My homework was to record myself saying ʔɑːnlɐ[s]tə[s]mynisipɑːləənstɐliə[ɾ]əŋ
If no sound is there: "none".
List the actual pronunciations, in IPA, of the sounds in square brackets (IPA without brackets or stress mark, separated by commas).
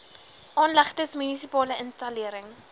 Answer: χ, s, ɾ